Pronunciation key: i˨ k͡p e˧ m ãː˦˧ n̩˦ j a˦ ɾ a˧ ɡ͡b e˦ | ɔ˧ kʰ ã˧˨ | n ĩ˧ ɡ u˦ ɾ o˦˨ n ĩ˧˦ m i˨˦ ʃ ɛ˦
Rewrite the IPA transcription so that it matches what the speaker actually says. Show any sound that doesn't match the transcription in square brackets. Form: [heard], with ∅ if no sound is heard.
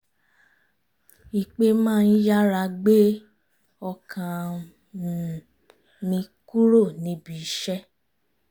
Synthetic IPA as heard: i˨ k͡p e˧ m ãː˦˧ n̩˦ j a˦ ɾ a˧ ɡ͡b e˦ | ɔ˧ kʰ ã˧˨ | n ĩ˧ [k] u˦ ɾ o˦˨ n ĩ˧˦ [b] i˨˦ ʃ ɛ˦